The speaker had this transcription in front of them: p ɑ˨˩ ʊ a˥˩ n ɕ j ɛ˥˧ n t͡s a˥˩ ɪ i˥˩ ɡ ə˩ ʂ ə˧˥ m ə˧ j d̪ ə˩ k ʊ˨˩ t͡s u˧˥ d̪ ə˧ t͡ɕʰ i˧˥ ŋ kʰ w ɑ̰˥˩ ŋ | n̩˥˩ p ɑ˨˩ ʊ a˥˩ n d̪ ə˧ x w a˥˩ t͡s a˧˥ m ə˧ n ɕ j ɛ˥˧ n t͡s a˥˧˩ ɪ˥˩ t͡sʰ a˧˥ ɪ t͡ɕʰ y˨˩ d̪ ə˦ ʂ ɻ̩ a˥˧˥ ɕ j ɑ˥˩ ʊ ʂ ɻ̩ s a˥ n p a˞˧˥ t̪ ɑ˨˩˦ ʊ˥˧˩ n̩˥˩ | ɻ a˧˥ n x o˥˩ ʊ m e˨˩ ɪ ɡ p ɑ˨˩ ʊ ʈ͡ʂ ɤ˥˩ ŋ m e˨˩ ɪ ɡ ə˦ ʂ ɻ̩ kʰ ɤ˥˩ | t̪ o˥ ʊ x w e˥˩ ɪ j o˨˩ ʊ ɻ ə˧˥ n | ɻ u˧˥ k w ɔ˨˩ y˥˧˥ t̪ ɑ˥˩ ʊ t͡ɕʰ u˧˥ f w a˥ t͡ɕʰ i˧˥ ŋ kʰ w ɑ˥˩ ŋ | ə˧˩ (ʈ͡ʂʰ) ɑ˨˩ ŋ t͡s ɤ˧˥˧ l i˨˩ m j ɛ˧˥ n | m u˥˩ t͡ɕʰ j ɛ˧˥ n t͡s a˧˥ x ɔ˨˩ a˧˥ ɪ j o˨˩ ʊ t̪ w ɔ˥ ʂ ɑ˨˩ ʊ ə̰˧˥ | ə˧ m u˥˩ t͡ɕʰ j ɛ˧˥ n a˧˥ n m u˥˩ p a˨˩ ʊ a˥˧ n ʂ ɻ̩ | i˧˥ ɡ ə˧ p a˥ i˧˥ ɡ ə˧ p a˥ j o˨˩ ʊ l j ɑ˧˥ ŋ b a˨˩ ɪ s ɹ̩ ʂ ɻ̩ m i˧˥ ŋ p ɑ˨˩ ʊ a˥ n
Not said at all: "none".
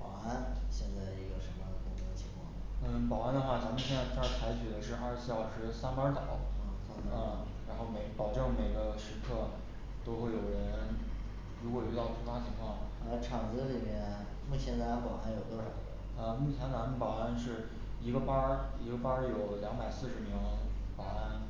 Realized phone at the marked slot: ʈ͡ʂʰ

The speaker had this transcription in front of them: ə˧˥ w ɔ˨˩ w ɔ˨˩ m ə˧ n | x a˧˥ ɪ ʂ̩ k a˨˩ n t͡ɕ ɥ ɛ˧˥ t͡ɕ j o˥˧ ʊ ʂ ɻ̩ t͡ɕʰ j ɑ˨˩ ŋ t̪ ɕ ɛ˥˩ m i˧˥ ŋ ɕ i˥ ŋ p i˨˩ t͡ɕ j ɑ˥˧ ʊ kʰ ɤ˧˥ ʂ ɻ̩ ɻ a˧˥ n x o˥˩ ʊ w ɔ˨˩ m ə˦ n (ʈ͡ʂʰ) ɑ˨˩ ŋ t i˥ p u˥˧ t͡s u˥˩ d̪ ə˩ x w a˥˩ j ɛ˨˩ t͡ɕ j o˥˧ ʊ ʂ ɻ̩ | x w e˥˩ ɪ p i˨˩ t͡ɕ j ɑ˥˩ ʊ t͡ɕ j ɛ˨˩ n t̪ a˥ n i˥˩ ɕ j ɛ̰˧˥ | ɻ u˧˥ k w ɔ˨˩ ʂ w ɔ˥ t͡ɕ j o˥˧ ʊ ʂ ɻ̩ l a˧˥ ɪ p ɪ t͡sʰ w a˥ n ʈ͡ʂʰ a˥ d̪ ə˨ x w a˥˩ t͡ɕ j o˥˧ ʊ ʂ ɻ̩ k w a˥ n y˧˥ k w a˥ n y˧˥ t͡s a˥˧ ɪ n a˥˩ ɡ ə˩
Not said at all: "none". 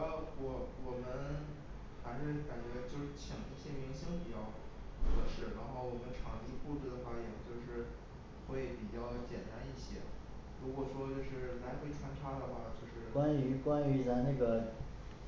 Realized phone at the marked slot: ʈ͡ʂʰ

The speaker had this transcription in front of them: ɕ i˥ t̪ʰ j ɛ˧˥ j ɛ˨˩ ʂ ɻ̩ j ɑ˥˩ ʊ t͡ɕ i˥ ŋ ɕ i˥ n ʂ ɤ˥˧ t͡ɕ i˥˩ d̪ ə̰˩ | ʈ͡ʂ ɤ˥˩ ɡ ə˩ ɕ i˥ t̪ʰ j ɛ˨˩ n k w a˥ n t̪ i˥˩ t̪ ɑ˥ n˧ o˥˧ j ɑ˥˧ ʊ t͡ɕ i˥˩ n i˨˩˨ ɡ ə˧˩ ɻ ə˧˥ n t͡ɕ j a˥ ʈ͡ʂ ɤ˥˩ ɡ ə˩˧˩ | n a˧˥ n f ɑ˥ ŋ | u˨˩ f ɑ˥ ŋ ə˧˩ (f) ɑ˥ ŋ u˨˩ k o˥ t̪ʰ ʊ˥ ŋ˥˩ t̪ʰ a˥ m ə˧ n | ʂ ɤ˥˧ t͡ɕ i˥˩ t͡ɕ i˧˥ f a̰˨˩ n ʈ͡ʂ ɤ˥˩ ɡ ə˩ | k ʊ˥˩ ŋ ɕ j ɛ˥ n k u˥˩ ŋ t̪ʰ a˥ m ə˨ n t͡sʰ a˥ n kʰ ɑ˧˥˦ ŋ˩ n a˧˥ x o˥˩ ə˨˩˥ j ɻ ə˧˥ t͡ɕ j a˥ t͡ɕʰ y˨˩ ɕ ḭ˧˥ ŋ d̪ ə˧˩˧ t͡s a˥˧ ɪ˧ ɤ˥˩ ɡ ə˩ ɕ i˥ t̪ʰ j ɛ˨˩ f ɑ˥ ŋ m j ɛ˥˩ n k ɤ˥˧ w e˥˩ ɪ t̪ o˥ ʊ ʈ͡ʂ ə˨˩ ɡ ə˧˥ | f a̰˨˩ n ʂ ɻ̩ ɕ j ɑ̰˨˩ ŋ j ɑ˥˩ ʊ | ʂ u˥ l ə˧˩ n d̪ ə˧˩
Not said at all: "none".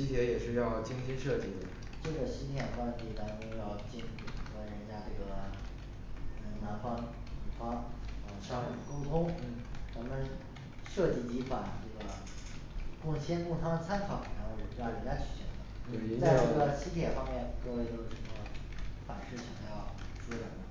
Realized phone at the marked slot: ʂ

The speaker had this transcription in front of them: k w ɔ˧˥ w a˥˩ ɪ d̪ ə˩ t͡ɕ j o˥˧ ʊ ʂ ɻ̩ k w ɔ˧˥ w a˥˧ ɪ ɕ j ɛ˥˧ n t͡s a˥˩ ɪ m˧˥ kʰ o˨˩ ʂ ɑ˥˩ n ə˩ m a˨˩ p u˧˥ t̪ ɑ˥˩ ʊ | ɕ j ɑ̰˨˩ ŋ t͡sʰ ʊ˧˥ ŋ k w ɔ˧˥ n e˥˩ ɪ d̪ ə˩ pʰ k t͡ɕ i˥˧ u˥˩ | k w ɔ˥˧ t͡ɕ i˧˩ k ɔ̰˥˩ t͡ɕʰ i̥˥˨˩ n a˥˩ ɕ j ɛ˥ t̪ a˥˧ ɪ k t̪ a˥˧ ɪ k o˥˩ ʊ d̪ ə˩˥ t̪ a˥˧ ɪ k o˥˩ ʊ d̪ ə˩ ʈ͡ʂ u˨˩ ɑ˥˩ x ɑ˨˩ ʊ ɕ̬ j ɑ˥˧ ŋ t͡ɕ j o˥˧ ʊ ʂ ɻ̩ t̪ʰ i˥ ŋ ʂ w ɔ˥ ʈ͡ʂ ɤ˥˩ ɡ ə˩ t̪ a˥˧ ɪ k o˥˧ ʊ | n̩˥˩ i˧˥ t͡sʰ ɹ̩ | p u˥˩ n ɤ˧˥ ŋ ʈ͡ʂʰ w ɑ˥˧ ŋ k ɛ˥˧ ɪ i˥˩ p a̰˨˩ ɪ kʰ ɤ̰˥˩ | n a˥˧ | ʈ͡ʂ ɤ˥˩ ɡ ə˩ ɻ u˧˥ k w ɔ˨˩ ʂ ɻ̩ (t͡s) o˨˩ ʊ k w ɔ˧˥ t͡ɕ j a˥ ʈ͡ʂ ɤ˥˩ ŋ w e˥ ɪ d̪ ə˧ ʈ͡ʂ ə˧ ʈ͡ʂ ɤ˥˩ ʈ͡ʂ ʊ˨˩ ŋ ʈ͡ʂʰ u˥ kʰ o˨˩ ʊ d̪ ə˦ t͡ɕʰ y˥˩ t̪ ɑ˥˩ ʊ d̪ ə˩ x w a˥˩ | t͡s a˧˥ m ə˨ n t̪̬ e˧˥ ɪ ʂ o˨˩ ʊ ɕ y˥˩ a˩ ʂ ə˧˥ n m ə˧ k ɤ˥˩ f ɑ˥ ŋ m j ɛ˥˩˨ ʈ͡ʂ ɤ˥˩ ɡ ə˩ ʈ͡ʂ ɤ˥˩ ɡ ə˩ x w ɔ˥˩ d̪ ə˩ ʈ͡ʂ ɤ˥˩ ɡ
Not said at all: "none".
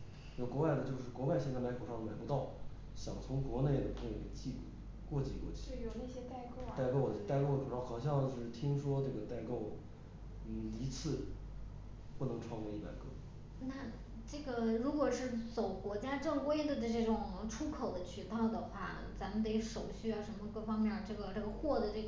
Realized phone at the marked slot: t͡s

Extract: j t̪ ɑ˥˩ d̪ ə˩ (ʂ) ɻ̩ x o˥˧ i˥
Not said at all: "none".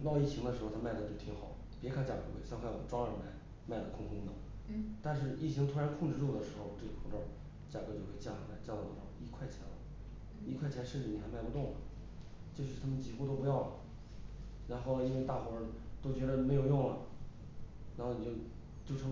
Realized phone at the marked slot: ʂ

